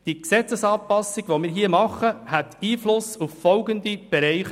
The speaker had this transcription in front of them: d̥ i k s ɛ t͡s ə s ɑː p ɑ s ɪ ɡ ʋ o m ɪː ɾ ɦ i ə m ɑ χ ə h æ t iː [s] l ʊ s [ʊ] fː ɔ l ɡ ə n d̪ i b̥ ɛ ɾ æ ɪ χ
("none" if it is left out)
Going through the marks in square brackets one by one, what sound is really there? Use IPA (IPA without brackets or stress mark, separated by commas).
f, u